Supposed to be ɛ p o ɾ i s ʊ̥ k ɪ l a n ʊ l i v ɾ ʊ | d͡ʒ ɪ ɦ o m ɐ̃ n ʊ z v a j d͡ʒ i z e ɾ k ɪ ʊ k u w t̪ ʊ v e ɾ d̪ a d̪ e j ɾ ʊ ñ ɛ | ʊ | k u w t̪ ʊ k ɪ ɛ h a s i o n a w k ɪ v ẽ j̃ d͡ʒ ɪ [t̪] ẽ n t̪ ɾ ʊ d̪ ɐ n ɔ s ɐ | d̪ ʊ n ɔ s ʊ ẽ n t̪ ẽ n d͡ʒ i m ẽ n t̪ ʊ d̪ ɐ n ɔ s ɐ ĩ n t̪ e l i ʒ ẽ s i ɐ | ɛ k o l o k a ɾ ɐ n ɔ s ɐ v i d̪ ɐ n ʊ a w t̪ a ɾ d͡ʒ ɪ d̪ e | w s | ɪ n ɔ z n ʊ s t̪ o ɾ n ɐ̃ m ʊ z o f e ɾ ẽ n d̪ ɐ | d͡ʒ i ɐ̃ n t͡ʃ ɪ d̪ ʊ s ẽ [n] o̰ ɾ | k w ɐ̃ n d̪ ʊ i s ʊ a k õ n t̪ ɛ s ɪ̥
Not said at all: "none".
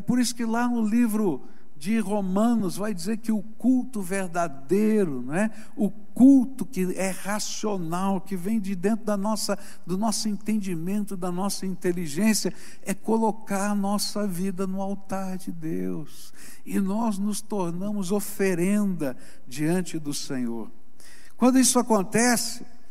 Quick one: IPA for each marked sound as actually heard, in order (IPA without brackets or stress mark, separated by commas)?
d̪, ɲ